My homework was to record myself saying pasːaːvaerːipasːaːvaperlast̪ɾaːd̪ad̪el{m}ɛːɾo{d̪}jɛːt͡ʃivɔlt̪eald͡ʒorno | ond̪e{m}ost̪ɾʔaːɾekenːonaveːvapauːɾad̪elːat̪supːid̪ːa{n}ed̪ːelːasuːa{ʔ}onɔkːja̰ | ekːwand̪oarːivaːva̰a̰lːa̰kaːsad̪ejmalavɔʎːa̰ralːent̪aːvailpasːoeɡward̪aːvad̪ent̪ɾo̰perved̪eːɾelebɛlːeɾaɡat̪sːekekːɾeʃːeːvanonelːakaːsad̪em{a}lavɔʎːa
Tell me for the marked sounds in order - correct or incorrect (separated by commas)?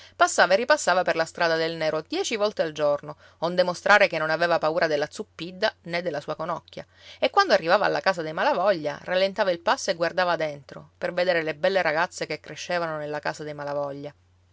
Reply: incorrect, correct, correct, correct, incorrect, correct